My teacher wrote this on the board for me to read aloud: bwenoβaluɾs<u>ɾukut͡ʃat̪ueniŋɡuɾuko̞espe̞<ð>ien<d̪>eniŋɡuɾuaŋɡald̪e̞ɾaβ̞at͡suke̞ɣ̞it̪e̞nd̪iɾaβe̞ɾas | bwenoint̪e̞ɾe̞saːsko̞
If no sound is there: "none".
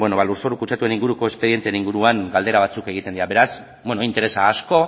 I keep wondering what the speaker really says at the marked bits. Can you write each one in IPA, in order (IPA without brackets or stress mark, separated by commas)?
o, ð, t̪